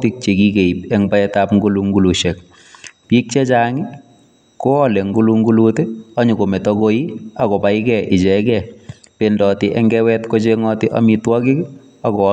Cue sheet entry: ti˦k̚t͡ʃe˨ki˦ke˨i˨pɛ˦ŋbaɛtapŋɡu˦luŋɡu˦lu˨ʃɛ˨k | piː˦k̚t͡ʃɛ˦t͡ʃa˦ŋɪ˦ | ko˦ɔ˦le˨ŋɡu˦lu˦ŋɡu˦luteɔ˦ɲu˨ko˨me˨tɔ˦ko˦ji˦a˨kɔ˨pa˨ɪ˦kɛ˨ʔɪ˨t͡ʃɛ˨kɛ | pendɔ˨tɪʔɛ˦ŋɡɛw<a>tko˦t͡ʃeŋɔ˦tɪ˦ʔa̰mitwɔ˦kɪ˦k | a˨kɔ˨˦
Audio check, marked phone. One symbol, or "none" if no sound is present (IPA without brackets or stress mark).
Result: ɛ